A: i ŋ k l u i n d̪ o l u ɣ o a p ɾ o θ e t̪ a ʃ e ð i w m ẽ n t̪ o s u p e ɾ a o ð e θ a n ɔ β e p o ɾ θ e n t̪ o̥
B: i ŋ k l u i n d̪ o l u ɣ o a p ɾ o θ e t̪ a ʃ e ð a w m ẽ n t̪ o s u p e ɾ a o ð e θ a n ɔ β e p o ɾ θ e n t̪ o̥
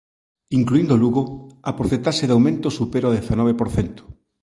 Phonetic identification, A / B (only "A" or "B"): B